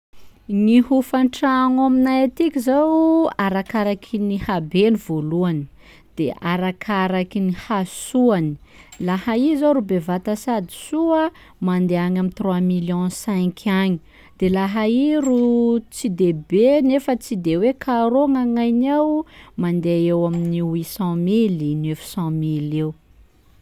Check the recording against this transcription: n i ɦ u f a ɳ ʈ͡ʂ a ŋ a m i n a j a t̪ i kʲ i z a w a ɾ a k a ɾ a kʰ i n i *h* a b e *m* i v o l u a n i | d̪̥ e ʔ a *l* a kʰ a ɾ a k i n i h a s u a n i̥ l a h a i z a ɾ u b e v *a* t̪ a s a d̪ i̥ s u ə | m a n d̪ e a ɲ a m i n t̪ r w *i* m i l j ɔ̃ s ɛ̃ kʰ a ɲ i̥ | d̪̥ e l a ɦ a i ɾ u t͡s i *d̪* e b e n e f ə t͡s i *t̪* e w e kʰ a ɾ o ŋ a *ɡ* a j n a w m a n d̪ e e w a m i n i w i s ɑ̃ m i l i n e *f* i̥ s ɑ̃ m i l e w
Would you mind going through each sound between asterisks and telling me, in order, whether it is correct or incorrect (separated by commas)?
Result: correct, incorrect, incorrect, correct, incorrect, correct, incorrect, incorrect, correct